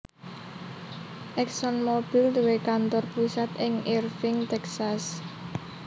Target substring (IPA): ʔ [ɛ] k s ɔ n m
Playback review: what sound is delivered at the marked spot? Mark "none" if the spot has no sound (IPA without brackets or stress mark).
ɛ